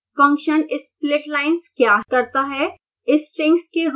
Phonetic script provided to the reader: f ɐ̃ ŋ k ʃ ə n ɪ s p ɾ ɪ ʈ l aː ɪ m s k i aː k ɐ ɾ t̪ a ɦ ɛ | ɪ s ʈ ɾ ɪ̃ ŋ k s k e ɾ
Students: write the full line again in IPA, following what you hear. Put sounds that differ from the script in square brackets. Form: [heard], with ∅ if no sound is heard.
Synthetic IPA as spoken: f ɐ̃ ŋ k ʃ ə n ɪ s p [l] ɪ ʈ l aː ɪ [n] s k [j] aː k ɐ ɾ t̪ a ɦ ɛ | ɪ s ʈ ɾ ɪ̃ ŋ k s k e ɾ